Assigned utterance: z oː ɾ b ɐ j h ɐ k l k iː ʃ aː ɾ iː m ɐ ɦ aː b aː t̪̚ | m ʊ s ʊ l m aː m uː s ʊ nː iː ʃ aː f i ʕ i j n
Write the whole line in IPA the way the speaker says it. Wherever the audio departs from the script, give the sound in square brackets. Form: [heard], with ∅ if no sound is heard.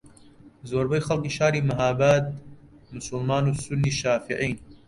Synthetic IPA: z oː ɾ b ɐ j [x] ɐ [∅] l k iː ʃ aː ɾ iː m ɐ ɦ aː b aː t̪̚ | m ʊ s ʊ l m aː [n] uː s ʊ nː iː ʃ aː f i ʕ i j n